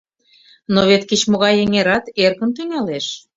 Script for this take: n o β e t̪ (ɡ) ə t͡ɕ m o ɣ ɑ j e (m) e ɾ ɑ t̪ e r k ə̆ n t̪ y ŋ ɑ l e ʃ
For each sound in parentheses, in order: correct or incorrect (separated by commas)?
incorrect, incorrect